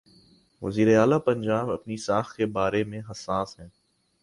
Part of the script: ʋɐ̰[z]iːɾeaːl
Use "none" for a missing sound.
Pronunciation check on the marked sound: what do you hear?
z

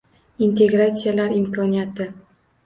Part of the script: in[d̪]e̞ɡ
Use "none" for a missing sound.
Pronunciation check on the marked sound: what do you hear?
t̪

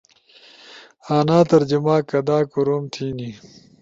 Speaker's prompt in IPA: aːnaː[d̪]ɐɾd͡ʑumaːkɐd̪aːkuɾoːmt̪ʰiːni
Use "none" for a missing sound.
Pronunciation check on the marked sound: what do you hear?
t̪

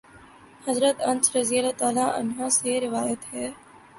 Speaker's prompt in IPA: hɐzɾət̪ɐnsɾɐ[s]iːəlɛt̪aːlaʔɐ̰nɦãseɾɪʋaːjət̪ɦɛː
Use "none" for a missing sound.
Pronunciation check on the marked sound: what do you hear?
z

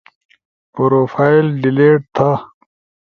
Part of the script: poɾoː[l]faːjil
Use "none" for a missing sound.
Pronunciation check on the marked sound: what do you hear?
none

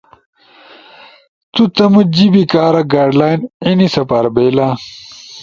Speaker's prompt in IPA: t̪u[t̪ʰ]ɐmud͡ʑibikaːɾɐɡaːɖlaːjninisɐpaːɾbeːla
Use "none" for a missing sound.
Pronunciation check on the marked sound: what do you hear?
t̪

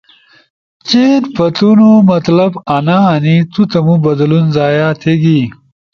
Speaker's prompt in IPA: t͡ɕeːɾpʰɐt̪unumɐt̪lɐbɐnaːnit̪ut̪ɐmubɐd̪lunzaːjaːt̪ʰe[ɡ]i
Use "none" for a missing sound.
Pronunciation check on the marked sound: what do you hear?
ɡ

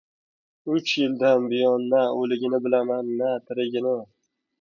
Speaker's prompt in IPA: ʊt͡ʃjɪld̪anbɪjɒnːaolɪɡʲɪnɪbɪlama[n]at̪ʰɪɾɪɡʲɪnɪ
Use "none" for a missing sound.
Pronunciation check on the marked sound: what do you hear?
nː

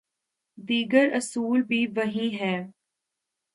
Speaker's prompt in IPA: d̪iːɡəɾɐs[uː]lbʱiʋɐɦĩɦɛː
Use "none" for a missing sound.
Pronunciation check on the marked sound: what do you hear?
uː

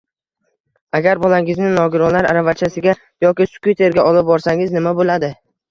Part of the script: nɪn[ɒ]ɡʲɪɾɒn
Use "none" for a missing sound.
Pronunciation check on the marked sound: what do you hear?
ɒ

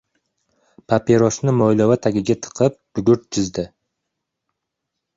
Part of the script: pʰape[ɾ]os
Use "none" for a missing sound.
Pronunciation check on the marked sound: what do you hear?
ɾ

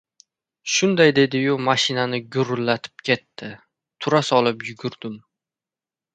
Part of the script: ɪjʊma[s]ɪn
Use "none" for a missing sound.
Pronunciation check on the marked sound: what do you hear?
ʃ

